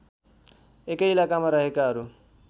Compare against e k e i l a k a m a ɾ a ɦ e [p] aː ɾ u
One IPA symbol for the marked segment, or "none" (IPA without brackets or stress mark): k